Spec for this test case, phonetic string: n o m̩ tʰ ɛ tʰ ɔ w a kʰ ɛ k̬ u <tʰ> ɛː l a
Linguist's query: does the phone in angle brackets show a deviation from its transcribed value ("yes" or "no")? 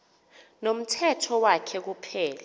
yes